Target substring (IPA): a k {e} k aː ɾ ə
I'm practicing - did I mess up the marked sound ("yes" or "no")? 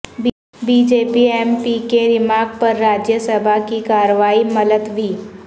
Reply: yes